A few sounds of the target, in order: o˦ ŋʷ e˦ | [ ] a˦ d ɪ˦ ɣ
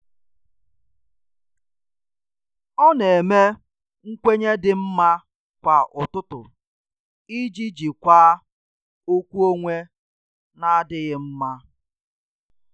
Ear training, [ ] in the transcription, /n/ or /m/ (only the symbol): n